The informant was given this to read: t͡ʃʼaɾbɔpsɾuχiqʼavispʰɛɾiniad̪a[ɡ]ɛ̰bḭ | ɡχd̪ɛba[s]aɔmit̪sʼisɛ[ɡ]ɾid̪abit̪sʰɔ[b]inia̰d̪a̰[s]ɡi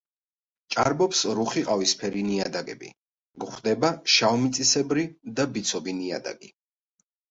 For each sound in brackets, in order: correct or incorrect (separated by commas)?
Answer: correct, incorrect, incorrect, correct, incorrect